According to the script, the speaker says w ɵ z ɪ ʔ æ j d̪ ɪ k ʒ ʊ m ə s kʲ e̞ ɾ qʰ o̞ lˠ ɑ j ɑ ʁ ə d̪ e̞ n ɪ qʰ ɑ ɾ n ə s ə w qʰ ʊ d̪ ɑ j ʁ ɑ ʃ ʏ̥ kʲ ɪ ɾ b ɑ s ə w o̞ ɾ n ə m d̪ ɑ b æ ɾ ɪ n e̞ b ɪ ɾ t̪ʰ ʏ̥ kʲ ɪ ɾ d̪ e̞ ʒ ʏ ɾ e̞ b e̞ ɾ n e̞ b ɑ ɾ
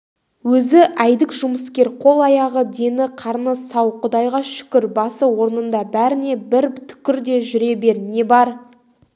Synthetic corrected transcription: w ɵ z ɪ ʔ æ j d̪ ɪ k ʒ ʊ m ə s kʲ e̞ ɾ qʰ o̞ lˠ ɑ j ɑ ʁ ə d̪ e̞ n ɪ qʰ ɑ ɾ n ə s ɑ w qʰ ʊ d̪ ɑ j ʁ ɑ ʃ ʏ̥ kʲ ɪ ɾ b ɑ s ə w o̞ ɾ n ə n d̪ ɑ b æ ɾ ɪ n e̞ b ɪ ɾ t̪ʰ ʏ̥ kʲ ɪ ɾ d̪ e̞ ʒ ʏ ɾ e̞ b e̞ ɾ n e̞ b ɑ ɾ